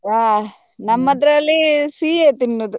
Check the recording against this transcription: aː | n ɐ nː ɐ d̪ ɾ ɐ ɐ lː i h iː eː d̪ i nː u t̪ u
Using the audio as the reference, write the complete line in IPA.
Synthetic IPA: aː | n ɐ mː ɐ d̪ ɾ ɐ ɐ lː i s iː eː t̪ i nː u d̪ u